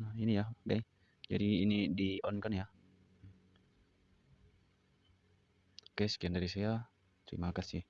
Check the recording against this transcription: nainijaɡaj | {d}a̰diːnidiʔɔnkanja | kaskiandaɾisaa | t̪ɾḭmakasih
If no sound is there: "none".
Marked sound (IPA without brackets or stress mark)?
d͡ʒ